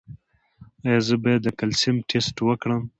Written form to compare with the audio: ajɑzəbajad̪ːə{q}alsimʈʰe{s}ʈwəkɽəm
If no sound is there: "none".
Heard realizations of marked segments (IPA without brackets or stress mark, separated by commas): k, s